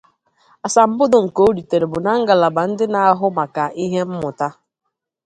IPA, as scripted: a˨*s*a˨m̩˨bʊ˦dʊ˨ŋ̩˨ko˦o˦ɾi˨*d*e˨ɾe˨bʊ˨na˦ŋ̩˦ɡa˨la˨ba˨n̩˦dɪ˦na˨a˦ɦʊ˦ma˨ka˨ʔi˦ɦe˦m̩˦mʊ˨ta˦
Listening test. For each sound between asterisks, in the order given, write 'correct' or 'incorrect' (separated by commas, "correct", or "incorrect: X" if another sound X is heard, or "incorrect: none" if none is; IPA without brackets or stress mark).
correct, incorrect: t